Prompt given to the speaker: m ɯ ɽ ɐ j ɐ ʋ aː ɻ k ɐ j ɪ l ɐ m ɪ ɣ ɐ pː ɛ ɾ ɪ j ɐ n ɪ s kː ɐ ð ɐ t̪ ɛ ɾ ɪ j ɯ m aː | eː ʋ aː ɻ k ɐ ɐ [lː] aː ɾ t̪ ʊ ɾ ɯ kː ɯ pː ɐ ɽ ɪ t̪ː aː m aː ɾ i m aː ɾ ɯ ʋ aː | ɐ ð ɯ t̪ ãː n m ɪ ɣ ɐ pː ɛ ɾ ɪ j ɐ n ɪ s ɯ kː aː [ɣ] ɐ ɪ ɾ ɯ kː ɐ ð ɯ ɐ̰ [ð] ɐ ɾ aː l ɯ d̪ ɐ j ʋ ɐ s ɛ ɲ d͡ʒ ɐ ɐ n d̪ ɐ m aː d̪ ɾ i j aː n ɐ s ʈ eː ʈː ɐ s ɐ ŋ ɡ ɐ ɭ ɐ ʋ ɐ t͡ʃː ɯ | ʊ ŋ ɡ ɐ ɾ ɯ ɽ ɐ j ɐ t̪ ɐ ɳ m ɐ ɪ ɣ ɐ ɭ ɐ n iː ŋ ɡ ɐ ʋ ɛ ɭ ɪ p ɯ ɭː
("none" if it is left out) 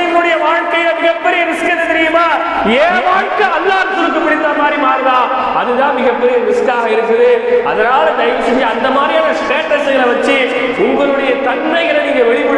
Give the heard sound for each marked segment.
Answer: lː, ɣ, ð

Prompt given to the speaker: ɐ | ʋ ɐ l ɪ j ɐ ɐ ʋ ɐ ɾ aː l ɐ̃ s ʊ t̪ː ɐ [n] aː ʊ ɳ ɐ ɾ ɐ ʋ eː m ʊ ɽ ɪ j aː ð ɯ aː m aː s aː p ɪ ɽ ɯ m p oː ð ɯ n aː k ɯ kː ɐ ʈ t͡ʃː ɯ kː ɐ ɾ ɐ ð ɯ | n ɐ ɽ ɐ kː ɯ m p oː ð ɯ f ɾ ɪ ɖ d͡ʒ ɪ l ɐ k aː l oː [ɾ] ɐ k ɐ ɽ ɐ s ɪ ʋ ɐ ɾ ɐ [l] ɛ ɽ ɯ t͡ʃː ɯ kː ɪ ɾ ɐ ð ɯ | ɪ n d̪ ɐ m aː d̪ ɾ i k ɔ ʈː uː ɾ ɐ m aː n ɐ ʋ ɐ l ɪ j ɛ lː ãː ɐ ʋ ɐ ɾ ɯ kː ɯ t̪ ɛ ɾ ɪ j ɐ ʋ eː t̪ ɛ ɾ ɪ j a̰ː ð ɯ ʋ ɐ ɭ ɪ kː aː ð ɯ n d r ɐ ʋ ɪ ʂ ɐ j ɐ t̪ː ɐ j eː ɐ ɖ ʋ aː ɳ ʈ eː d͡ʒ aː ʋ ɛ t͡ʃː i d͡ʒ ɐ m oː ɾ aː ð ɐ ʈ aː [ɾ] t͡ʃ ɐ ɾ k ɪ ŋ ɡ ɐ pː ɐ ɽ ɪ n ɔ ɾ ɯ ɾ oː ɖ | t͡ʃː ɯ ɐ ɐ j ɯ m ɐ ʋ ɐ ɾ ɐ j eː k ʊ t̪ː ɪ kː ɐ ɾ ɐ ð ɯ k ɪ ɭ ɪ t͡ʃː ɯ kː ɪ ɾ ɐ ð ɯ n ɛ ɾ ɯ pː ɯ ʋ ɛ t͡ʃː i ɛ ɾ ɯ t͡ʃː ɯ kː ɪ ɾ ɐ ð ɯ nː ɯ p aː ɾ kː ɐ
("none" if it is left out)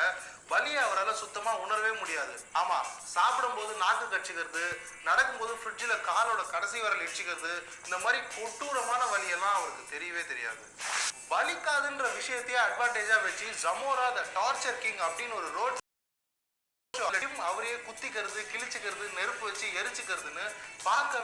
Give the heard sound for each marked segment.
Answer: m, ɽ, l, ɾ

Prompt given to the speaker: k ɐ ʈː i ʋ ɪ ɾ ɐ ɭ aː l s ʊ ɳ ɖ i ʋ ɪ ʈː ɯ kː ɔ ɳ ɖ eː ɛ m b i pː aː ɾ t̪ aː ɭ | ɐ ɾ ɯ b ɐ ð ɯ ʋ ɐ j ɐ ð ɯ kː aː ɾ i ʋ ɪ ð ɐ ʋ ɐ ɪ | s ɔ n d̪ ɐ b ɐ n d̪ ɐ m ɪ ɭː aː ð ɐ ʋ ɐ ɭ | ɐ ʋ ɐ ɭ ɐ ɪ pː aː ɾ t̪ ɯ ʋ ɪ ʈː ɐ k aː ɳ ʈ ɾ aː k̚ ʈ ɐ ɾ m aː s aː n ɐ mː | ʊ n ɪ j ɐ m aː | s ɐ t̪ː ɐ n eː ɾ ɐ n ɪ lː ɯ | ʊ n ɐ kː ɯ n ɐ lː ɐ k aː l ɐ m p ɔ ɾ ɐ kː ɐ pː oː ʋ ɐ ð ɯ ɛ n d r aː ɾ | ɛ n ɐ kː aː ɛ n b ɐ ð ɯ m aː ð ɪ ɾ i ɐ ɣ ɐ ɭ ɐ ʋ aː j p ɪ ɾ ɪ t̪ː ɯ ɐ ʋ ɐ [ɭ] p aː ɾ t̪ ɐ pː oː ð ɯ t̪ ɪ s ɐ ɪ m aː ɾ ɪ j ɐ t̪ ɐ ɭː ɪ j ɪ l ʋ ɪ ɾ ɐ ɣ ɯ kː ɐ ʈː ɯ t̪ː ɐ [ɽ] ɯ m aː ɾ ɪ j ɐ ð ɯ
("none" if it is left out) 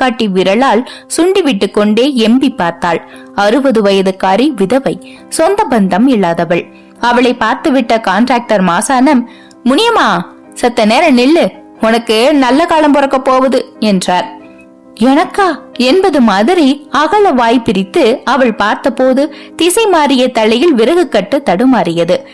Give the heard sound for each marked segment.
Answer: ɭ, ɽ

